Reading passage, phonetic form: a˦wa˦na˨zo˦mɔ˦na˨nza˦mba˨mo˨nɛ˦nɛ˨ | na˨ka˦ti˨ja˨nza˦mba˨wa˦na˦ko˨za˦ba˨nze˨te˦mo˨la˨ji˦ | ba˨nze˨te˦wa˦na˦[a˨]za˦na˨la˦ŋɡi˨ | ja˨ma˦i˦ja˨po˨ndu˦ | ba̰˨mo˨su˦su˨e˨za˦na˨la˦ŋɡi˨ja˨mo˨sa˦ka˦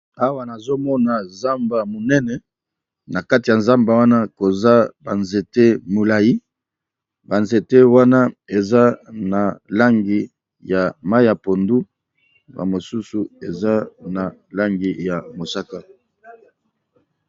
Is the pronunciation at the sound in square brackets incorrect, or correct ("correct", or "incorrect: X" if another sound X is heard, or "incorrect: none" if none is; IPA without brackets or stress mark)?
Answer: incorrect: e˨